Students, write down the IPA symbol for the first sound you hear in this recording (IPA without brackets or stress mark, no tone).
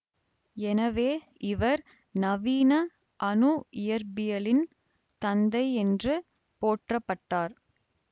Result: ɛ